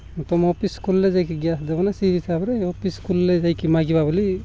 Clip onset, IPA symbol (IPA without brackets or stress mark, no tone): t̪